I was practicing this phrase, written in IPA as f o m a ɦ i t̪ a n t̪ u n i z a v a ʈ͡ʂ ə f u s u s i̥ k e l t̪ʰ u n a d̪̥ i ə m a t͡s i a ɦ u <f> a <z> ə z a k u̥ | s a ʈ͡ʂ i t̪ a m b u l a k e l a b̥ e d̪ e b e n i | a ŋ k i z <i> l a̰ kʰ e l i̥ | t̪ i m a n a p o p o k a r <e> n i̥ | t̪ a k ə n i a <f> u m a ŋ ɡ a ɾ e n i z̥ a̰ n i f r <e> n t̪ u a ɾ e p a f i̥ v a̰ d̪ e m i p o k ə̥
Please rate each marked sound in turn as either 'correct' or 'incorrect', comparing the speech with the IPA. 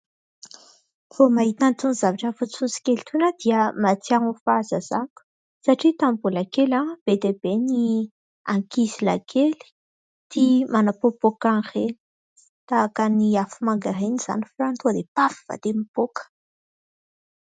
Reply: correct, correct, correct, correct, correct, incorrect: a

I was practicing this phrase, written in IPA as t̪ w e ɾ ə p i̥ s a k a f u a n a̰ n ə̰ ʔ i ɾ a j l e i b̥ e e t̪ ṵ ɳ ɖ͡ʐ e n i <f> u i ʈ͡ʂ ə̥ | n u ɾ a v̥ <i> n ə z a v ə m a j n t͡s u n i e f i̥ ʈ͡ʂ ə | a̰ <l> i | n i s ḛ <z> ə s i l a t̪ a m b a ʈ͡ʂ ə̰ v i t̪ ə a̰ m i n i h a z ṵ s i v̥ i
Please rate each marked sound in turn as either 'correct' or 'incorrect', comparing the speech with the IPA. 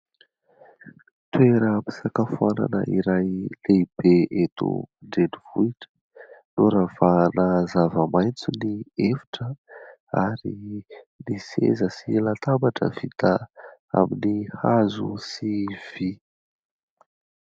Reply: incorrect: v, incorrect: a, incorrect: ɾ, correct

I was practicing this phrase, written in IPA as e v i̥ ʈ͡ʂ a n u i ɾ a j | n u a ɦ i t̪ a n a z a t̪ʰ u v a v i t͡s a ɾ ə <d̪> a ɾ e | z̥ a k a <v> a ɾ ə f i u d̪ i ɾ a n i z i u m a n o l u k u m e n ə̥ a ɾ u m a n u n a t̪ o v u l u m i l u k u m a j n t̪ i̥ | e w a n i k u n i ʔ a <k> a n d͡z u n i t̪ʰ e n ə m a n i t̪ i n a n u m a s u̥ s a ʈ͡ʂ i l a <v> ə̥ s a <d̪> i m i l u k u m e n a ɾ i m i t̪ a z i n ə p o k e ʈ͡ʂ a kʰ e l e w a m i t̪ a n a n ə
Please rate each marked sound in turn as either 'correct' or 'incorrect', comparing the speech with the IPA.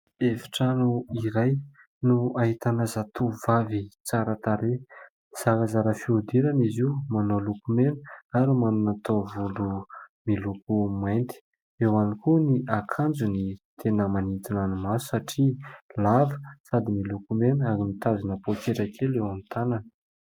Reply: incorrect: t̪, incorrect: z, incorrect: kʰ, correct, correct

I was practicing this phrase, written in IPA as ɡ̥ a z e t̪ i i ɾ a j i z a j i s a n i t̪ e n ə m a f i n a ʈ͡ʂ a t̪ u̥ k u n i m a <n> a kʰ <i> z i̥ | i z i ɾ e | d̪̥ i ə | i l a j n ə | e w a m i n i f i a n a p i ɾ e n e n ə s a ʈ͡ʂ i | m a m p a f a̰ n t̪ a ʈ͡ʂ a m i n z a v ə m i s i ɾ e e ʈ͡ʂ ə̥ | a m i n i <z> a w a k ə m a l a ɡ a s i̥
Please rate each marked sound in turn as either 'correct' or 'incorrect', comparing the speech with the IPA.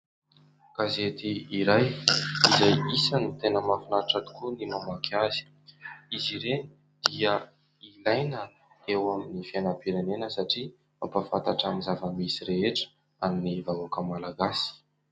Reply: incorrect: m, incorrect: a, incorrect: v

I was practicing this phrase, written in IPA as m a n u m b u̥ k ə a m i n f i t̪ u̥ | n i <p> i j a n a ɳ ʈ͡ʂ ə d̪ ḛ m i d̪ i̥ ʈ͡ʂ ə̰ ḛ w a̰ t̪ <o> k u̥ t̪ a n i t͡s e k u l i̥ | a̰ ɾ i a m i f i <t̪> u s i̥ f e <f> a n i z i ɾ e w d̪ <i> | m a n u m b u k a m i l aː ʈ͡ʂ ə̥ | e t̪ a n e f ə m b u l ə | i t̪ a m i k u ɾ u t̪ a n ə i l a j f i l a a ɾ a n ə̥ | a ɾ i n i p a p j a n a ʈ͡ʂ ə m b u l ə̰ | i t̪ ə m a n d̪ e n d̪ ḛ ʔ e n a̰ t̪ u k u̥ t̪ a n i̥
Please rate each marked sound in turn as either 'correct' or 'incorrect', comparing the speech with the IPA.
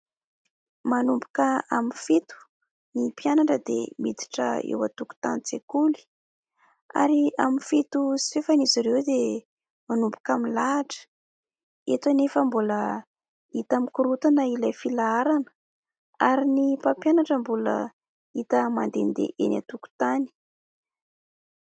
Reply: correct, incorrect: u, correct, correct, incorrect: e

